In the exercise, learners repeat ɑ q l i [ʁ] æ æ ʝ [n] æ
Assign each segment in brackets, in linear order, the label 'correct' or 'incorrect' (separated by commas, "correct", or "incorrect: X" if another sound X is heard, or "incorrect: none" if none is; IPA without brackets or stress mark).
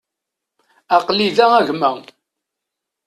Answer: incorrect: ð, incorrect: m